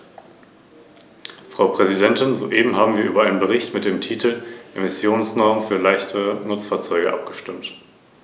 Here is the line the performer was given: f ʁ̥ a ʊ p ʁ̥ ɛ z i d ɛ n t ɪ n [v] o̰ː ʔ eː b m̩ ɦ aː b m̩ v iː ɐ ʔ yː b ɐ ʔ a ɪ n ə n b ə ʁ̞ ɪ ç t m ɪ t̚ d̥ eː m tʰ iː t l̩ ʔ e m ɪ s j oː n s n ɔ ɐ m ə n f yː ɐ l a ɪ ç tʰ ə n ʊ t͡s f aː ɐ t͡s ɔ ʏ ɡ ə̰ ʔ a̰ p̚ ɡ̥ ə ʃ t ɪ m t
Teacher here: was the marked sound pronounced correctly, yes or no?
no